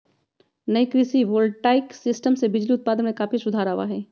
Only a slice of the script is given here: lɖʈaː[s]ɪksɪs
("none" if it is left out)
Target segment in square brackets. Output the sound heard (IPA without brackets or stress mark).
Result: none